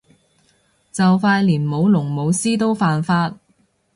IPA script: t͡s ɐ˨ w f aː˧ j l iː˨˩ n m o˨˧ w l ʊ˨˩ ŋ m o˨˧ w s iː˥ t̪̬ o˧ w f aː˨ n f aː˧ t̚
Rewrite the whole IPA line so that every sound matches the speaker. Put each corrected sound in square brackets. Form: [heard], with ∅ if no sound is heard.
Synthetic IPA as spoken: t͡s ɐ˨ w f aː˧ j l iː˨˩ n m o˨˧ w l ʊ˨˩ ŋ m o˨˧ w s iː˥ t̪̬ [o˥] w f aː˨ n f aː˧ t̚